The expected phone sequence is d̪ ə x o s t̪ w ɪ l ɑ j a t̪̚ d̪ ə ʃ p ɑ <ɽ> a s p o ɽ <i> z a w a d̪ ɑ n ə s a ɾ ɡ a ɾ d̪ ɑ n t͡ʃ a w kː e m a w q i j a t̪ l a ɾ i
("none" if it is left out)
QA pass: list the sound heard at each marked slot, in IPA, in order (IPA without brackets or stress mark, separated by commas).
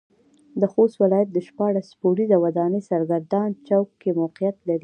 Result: ɽ, i